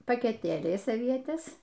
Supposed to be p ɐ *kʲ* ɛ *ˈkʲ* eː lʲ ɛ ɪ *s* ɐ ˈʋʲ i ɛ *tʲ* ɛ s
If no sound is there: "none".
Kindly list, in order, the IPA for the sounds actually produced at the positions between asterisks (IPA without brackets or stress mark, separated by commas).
kʲ, tʲ, s, tʲ